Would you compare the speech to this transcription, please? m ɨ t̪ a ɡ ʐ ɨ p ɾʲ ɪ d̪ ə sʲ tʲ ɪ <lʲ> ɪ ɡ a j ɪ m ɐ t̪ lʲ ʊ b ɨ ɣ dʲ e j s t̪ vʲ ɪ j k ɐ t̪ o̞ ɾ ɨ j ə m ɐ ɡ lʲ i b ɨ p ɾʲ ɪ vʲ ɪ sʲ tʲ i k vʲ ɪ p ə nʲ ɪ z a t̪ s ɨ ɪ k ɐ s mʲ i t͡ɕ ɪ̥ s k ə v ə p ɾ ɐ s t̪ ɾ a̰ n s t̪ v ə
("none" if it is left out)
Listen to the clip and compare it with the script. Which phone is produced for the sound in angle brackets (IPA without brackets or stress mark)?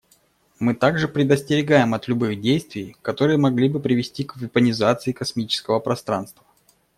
ɾʲ